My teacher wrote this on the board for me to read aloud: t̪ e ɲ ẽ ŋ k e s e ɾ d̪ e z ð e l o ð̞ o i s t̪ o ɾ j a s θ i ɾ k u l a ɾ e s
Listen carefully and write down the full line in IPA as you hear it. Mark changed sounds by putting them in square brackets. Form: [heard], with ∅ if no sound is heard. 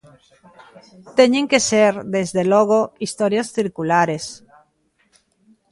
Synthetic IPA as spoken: t̪ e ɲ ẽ ŋ k e s e ɾ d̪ e z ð e l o [ɣ̞] o i s t̪ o ɾ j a s θ i ɾ k u l a ɾ e s